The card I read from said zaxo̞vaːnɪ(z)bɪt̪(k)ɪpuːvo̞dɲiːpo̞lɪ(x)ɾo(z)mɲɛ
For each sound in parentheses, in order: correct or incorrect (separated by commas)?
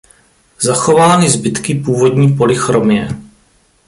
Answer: correct, correct, correct, incorrect